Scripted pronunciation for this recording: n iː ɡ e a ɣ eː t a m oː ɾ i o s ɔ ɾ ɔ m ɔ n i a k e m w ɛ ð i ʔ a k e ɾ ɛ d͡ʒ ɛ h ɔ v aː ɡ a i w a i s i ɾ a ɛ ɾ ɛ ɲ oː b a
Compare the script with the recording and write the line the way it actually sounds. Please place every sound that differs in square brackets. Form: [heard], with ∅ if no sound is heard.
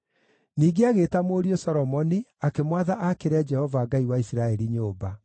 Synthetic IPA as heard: n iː ɡ e a ɣ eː t a m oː ɾ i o s ɔ ɾ ɔ m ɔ n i a k e m w [a] ð [a] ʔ a k e ɾ ɛ d͡ʒ ɛ h ɔ v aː ɡ a i w a i s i ɾ a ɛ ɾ [i] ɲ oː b a

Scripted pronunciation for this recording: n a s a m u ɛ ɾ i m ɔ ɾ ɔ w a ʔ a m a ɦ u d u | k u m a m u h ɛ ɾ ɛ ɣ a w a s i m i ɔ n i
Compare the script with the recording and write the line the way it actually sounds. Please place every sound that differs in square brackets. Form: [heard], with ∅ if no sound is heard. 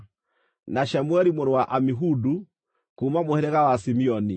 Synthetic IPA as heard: n a [ʃ] a m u ɛ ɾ i m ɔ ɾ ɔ w a ʔ a m [i] ɦ u d u | k u m a m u h ɛ ɾ ɛ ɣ a w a s i m i ɔ n i

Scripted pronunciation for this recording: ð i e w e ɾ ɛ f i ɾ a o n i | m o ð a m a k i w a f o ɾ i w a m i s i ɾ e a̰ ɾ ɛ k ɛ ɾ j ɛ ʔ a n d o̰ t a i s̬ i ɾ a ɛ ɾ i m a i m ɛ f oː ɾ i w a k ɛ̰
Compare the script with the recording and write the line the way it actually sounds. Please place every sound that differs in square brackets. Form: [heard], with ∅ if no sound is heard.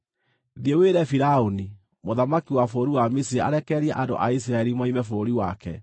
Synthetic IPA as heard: ð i e w e ɾ ɛ f i ɾ a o n i | m o ð a m a k i w a f o ɾ i w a m i s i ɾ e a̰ ɾ ɛ k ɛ ɾ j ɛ ʔ a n d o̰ [ʔ] a i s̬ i ɾ a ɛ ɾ i m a i m ɛ f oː ɾ i w a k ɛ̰

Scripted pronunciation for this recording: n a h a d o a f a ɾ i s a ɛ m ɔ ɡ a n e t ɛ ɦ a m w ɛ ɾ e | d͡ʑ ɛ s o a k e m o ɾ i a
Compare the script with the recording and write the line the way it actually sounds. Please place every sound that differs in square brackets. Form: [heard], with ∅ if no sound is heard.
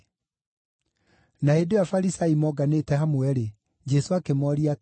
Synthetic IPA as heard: n a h [e] d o a f a ɾ i s a [i] m ɔ ɡ a n e t ɛ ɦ a m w ɛ ɾ e | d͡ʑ ɛ s o a k e m [ɔ] ɾ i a

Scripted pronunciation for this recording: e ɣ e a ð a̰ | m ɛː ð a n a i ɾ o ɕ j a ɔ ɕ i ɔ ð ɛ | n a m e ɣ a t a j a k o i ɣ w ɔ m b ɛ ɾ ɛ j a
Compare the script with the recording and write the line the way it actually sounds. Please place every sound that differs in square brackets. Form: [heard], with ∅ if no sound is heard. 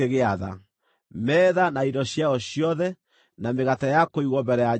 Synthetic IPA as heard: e ɣ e a ð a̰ | m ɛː ð a n a i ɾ [ɔ] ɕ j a ɔ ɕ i ɔ ð ɛ | n a m e ɣ a t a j a k o i ɣ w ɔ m b ɛ ɾ ɛ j a

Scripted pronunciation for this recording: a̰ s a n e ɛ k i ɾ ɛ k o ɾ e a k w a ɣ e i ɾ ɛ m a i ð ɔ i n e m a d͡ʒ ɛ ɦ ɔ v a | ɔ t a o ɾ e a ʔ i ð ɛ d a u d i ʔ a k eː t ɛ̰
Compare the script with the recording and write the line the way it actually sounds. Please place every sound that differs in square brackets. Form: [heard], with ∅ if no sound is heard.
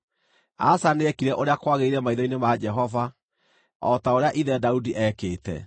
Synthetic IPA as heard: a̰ s a n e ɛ k i ɾ ɛ [ʔ] o ɾ e a k w a ɣ e i ɾ ɛ m a i ð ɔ i n e m a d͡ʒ ɛ ɦ ɔ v a | ɔ t a o ɾ e a ʔ i ð ɛ d a u d i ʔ [ɛ] k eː t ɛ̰

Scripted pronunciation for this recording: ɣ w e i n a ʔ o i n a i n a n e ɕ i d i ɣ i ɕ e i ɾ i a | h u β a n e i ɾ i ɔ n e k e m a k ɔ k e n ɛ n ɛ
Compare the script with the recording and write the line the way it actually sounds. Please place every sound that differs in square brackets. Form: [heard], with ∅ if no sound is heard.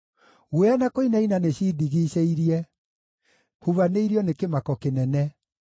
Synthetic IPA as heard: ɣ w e [a] n a [k] o i n a i n a n e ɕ i d i ɣ i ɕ e i ɾ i [ɛ] | h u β a n e i ɾ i ɔ n e k e m a k ɔ k e n ɛ n ɛ

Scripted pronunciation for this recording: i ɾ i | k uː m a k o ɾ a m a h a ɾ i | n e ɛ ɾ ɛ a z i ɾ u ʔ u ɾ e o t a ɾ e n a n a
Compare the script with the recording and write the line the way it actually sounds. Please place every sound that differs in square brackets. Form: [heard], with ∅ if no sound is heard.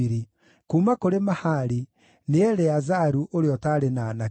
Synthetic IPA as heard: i ɾ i | k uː m a k o ɾ [e] m a h a ɾ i | n e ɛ ɾ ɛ a z [a] ɾ u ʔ [o] ɾ e [ɔ] t a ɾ e n a n a

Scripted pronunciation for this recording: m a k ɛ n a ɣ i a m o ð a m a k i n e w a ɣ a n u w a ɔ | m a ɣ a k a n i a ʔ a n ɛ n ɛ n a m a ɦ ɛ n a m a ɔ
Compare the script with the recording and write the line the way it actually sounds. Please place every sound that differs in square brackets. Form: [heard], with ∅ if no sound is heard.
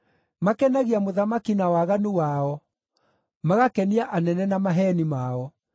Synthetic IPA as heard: m a k ɛ n a ɣ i a m o ð a m a k i n [a] w a ɣ a n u w a ɔ | m a ɣ a k [ɛ] n i a ʔ a n ɛ n ɛ n a m a ɦ ɛ n [i] m a ɔ

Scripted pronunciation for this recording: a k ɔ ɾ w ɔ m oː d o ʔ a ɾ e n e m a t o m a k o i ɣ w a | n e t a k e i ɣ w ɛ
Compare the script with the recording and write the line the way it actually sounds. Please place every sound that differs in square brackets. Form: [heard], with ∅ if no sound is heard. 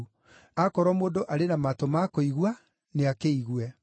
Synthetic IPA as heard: a k ɔ ɾ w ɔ m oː d o ʔ a ɾ e n [a] m a t o m a k o i ɣ w a | n e [∅] a k e i ɣ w ɛ

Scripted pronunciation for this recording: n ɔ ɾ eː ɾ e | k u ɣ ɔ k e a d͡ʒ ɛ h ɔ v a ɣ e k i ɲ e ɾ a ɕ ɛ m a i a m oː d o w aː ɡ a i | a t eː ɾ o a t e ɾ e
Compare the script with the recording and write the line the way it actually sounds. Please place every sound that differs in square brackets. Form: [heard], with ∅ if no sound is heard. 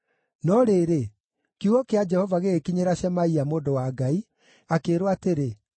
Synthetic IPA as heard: n ɔ ɾ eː ɾ e | k u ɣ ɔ k e a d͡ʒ ɛ h ɔ v a ɣ e k i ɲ e ɾ a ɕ ɛ m a i a m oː d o w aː ɡ a i | a [k] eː ɾ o a t e ɾ e

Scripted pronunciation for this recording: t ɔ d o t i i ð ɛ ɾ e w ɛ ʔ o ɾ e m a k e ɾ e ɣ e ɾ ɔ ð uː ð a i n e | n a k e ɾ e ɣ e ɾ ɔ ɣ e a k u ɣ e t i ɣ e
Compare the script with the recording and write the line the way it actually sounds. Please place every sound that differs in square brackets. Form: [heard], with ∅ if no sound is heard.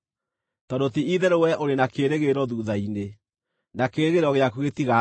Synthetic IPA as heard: t ɔ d o t i i ð ɛ ɾ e w ɛ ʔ o ɾ e [n] a k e ɾ e ɣ e ɾ ɔ ð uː ð a i n e | n a k e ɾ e ɣ e ɾ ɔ ɣ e a k u ɣ e t i ɣ [a]

